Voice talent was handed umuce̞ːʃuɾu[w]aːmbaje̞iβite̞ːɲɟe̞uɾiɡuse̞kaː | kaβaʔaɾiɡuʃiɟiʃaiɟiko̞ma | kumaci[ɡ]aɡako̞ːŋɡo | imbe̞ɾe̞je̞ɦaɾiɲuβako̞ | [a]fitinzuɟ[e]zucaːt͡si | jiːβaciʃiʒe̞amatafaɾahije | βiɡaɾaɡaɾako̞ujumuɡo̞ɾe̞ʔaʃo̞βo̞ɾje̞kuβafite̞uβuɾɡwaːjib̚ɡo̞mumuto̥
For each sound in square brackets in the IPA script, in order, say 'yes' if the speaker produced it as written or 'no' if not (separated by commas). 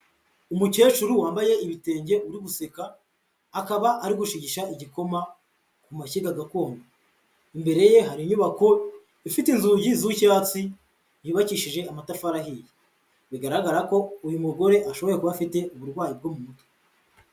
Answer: yes, yes, no, no